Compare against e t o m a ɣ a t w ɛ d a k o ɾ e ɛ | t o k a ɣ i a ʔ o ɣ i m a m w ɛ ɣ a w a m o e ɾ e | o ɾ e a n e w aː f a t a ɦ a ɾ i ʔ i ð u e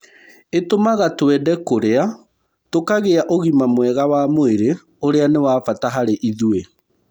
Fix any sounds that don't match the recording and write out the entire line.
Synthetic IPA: e t o m a ɣ a t w ɛ d ɛ k o ɾ e a | t o k a ɣ e a ʔ o ɣ i m a m w ɛ ɣ a w a m o e ɾ e | o ɾ e a n e w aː f a t a ɦ a ɾ e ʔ i ð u e